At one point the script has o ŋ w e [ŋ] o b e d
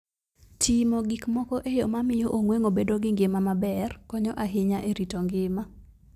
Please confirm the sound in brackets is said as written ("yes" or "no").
yes